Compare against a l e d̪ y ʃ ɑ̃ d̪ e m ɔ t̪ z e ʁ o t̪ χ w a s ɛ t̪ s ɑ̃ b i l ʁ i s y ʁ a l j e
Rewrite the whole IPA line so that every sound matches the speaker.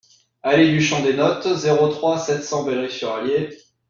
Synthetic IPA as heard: a l e d̪ y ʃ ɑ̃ d̪ e n ɔ t̪ z e ʁ o t̪ χ w a s ɛ t̪ s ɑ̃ b ɛ l ʁ i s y ʁ a l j e